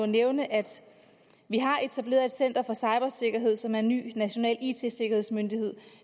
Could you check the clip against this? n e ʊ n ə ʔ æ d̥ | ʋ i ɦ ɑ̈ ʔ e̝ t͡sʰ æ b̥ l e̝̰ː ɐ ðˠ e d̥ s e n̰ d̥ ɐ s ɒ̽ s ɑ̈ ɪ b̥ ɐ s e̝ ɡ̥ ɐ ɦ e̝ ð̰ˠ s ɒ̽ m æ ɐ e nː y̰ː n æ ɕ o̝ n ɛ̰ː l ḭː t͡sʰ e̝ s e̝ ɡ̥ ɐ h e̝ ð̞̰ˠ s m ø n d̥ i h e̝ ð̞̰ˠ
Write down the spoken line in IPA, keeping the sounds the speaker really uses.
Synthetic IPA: n e ʊ n ə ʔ æ d̥ | ʋ i ɦ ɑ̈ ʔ e̝ t͡sʰ æ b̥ l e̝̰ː ɐ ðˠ e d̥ s e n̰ d̥ ɐ f ɒ̽ s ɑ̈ ɪ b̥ ɐ s e̝ ɡ̥ ɐ ɦ e̝ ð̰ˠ s ɒ̽ m æ ɐ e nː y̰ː n æ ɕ o̝ n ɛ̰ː l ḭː t͡sʰ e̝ s e̝ ɡ̥ ɐ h e̝ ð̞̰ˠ s m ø n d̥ i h e̝ ð̞̰ˠ